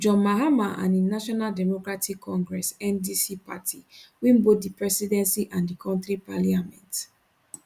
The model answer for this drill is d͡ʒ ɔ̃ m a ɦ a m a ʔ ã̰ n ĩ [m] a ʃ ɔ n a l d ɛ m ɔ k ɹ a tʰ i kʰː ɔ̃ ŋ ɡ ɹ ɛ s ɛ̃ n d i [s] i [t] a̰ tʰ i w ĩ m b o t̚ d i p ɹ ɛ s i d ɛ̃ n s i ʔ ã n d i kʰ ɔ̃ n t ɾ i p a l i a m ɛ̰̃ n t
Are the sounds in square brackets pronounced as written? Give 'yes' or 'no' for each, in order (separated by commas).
no, yes, no